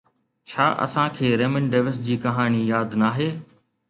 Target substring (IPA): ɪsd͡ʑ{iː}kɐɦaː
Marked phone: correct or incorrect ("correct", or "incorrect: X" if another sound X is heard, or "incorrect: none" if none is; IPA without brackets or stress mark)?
correct